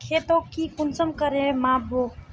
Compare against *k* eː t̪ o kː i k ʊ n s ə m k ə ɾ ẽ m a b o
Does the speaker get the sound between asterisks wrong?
yes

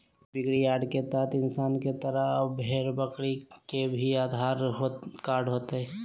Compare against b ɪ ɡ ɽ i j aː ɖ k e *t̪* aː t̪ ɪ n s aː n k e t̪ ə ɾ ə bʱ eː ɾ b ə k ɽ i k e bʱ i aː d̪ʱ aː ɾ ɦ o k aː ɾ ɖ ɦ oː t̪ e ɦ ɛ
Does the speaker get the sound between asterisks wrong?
no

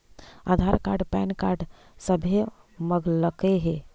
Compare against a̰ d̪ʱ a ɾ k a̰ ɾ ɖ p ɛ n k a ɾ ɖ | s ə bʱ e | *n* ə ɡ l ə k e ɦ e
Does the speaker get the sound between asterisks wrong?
yes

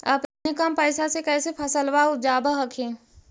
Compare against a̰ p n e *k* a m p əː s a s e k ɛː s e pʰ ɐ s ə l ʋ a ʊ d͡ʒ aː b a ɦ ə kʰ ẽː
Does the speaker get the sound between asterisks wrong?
no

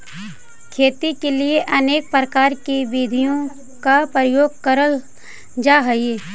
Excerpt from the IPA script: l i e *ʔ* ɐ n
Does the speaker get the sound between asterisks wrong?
no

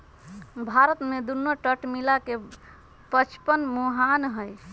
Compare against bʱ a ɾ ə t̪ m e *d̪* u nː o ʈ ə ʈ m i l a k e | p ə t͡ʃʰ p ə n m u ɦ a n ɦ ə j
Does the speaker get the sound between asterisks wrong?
no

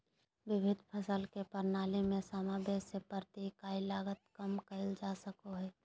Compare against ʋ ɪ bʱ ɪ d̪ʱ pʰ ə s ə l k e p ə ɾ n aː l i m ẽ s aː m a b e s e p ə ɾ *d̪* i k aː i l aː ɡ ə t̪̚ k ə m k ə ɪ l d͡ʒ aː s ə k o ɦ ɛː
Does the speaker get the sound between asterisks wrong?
yes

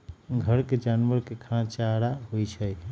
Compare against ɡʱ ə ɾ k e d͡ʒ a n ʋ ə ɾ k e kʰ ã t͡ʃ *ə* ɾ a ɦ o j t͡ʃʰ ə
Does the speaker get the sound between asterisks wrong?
yes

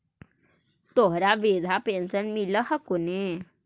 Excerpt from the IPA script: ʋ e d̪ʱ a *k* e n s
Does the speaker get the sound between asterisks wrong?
yes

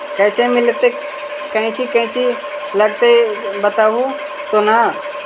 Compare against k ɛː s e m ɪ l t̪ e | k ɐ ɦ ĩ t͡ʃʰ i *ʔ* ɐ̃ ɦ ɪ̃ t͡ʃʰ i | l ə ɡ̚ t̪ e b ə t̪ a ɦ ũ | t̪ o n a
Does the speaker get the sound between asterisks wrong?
yes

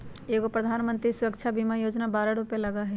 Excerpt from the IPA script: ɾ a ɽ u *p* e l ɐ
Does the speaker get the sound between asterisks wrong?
no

